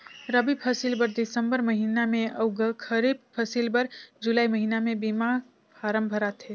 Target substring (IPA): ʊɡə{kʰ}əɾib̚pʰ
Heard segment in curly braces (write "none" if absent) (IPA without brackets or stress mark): kʰ